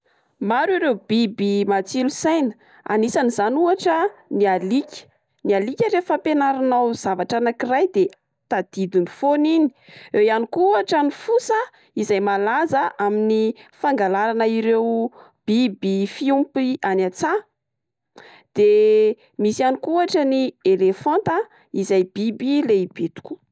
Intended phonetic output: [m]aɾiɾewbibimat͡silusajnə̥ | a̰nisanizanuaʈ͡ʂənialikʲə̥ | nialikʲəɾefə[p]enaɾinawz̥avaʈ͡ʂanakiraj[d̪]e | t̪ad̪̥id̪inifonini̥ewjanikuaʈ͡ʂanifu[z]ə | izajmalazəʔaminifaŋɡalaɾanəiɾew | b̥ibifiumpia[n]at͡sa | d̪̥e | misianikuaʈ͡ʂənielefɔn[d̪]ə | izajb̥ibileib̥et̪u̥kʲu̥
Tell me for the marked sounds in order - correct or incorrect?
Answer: correct, correct, correct, incorrect, correct, incorrect

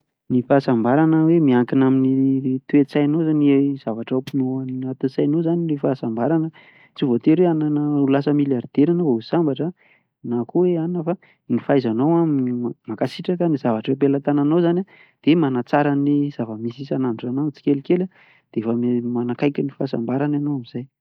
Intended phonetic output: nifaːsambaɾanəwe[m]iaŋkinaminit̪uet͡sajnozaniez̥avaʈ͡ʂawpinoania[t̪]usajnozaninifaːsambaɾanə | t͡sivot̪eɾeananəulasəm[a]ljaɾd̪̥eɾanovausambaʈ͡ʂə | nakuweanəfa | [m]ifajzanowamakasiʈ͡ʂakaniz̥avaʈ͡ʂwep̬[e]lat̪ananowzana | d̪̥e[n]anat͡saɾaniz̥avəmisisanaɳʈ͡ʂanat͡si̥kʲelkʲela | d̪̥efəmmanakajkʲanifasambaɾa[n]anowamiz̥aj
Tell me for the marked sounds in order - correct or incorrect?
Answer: correct, correct, incorrect, incorrect, correct, incorrect, correct

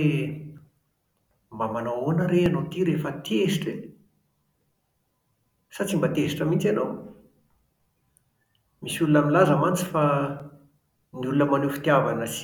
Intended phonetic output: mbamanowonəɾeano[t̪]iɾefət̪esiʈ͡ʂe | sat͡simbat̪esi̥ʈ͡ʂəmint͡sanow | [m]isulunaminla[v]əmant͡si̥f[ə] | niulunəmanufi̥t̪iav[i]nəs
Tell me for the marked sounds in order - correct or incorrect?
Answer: correct, correct, incorrect, incorrect, incorrect

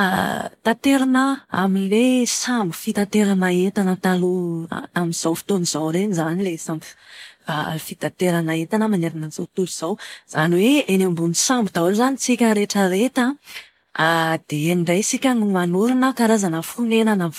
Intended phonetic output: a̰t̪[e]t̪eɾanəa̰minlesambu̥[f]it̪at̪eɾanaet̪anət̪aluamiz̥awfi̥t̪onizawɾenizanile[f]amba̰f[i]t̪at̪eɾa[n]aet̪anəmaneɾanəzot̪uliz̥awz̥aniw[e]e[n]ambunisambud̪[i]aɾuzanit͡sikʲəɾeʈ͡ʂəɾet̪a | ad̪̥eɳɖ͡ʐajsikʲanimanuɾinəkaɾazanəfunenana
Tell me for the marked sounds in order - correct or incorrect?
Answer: incorrect, correct, incorrect, correct, correct, correct, correct, incorrect

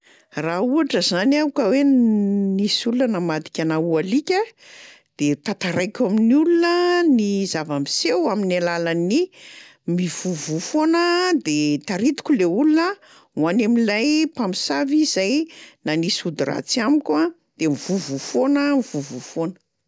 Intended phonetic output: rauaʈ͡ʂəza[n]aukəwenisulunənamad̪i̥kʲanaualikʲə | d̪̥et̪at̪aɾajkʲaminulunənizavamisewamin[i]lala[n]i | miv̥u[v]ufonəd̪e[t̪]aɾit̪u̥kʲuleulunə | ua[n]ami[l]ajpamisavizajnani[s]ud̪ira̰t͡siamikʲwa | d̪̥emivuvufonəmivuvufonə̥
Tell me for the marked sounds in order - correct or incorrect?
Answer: correct, incorrect, correct, correct, correct, correct, correct, correct

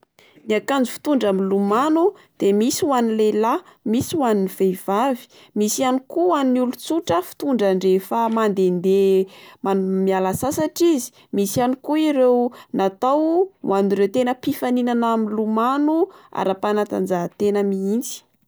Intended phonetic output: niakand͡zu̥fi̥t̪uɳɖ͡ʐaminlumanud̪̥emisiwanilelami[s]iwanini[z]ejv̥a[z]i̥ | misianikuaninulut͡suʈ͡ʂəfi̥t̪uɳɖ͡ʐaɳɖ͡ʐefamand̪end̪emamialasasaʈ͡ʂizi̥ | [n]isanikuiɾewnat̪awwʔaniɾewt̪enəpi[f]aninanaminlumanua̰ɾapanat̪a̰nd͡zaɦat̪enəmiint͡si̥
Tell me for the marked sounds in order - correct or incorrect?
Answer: correct, incorrect, incorrect, incorrect, correct

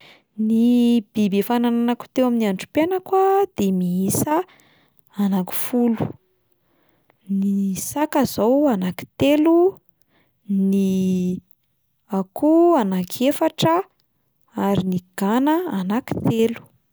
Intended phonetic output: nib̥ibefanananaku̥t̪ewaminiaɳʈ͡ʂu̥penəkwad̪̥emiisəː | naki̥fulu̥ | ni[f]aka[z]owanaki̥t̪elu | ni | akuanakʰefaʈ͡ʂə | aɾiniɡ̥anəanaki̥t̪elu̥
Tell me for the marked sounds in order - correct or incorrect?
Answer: incorrect, correct

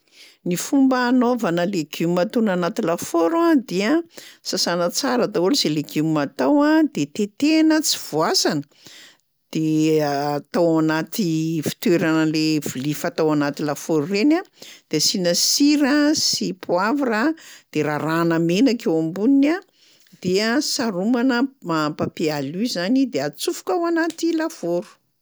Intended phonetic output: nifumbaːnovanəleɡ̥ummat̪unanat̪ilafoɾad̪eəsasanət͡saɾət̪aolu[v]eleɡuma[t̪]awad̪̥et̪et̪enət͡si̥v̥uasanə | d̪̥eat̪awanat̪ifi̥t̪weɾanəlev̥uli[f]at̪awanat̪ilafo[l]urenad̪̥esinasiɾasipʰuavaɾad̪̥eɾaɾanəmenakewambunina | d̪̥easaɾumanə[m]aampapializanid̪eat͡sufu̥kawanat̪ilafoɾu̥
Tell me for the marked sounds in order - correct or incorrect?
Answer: incorrect, correct, correct, incorrect, correct

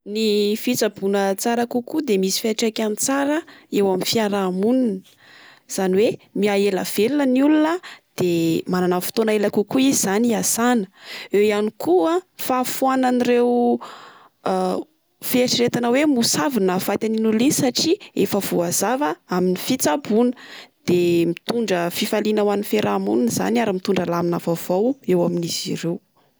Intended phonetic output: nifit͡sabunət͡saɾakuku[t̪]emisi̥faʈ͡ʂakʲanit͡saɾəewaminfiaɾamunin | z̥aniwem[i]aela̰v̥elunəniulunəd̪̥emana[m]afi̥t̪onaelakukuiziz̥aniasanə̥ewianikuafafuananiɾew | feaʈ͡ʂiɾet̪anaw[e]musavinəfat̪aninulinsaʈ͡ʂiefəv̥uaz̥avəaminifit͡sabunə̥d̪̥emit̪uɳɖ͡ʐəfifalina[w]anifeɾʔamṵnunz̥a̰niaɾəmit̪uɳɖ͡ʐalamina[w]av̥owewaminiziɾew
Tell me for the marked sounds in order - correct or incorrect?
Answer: incorrect, correct, incorrect, correct, correct, incorrect

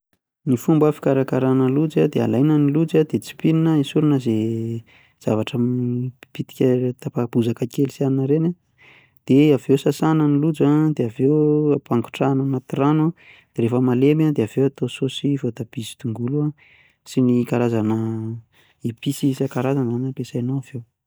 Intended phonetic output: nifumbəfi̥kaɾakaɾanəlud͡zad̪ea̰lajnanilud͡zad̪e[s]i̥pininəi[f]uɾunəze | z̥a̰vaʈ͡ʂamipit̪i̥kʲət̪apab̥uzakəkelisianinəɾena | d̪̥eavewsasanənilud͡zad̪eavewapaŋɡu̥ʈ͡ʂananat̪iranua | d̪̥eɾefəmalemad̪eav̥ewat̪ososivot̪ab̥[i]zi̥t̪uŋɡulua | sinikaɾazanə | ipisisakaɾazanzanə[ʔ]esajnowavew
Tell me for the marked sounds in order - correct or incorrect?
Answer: incorrect, incorrect, correct, incorrect

